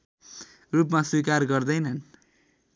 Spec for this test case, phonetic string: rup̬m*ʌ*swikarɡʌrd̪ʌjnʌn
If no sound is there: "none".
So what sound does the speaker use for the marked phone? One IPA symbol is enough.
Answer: a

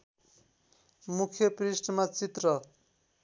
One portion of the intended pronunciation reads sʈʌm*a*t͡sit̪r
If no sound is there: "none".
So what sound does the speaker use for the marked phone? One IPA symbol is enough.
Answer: a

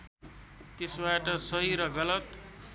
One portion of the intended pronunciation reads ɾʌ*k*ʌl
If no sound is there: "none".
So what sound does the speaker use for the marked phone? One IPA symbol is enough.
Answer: ɡ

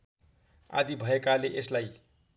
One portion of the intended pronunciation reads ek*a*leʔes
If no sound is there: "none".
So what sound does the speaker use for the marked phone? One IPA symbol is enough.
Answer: a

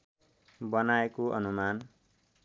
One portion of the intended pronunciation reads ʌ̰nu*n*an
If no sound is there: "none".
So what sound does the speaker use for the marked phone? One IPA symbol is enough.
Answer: m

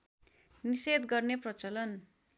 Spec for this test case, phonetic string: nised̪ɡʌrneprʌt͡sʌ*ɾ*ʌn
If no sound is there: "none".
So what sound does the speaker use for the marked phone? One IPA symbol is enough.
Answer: l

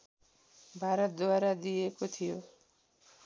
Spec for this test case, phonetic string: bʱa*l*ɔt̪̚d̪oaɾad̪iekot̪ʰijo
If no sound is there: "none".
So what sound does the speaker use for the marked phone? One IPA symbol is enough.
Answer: ɾ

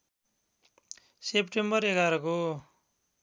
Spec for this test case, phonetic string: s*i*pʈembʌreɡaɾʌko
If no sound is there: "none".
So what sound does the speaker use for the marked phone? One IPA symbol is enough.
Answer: e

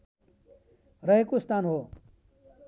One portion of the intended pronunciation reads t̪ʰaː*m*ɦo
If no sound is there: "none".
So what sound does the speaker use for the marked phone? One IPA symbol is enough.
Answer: n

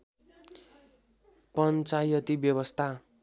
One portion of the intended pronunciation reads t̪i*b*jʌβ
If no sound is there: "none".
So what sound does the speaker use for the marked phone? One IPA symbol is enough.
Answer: b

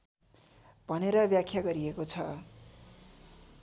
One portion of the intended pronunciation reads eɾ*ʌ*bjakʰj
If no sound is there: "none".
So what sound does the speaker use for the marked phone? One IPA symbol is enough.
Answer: ʌ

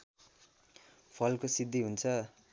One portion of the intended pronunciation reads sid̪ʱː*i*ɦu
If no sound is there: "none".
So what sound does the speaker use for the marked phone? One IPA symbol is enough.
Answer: i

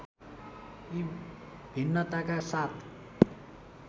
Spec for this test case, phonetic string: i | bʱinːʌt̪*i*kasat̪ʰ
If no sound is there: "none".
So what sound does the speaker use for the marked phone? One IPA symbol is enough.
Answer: a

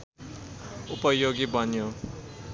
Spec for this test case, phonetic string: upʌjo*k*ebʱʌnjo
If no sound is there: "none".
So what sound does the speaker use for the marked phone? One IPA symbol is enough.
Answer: ɡ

